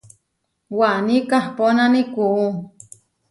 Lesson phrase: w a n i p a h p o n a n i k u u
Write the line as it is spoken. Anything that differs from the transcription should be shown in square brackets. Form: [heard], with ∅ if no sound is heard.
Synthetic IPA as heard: w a n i [k] a h p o n a n i k u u